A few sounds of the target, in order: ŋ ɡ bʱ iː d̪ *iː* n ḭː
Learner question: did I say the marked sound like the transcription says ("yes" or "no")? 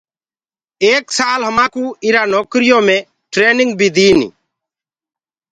yes